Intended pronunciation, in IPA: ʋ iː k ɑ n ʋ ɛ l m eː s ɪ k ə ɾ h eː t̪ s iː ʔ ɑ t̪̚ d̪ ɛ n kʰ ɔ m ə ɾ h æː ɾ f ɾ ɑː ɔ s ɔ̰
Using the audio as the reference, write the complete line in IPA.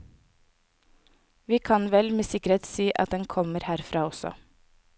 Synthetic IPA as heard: ʋ iː kʰ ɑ n ʋ ɛ l m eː s ɪ k ə ɾ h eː t̪ s iː ʔ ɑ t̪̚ d̪ ɛ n kʰ ɔ m ə ɾ h æː ɾ f ɾ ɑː ɔ s ɔ̰